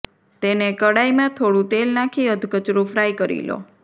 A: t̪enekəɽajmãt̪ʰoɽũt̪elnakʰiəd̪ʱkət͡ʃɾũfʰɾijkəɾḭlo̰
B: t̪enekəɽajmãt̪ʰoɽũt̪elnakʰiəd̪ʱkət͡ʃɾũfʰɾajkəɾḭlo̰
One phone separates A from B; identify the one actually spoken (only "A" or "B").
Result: B